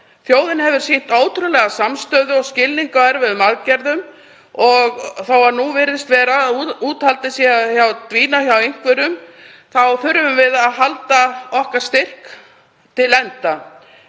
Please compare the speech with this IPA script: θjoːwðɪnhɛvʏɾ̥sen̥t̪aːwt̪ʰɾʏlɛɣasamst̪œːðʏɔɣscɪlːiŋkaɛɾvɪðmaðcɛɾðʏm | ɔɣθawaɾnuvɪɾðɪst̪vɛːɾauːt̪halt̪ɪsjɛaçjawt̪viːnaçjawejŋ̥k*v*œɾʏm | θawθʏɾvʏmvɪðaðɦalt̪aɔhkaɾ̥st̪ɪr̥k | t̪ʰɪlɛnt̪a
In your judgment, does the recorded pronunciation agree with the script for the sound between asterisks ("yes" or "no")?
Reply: yes